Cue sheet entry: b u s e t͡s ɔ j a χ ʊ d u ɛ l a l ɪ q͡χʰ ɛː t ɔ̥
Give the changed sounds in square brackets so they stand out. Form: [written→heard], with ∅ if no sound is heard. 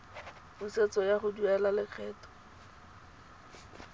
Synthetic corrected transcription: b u s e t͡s ɔ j a χ ʊ d u ɛ l a l ɪ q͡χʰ ɛː t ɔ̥

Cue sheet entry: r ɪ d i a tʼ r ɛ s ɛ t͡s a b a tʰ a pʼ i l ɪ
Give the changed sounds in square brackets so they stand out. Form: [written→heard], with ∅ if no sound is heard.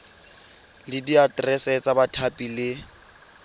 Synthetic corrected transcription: [r→l] ɪ d i a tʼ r ɛ s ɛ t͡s a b a tʰ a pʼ i l ɪ

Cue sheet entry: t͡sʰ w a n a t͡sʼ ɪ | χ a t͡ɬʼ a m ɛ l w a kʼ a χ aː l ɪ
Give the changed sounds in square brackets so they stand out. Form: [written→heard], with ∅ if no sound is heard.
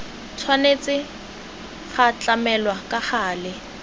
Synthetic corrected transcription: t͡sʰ w a n [a→e] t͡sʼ ɪ | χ a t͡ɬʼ a m ɛ l w a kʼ a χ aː l ɪ

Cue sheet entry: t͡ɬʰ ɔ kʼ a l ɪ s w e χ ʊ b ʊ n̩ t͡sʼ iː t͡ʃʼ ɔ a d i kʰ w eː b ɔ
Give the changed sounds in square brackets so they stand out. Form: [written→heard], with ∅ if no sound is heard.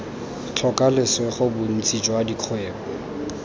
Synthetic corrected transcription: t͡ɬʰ ɔ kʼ a l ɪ s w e χ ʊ b ʊ n̩ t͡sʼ [iː→i] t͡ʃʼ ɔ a d i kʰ w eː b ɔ

